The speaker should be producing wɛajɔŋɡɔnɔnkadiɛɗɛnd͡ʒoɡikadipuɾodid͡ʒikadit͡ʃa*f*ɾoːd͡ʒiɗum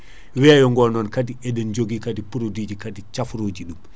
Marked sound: correct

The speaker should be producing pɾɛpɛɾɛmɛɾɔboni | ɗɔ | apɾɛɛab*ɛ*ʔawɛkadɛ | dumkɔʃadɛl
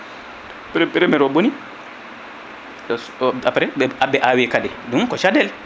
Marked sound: correct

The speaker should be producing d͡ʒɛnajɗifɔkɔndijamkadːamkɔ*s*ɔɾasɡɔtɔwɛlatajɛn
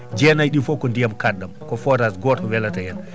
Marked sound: incorrect: f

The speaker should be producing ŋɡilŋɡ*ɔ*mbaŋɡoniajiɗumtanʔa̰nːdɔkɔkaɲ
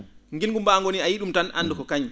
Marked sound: incorrect: u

